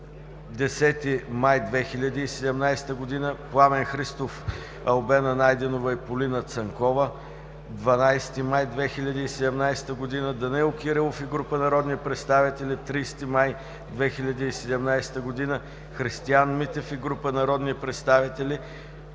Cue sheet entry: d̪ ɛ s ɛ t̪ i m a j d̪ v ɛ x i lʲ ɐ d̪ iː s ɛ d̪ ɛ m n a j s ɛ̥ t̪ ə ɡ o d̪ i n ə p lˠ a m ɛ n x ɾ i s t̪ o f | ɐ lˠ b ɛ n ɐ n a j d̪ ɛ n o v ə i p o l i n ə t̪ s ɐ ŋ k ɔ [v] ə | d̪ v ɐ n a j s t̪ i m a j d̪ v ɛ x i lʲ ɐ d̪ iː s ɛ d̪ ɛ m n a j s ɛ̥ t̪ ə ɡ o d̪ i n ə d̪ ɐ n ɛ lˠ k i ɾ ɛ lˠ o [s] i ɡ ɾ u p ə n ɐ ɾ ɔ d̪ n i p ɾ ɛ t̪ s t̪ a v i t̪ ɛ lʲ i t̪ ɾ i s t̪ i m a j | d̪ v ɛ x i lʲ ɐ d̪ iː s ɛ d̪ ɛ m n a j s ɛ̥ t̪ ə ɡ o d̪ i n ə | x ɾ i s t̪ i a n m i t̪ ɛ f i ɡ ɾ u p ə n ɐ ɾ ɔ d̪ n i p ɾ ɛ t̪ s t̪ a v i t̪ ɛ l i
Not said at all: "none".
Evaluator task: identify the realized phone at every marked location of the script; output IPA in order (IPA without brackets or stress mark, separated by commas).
v, f